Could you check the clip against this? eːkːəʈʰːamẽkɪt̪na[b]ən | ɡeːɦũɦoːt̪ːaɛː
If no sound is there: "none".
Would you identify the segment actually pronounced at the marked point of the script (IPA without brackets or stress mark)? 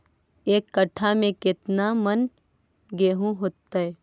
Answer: m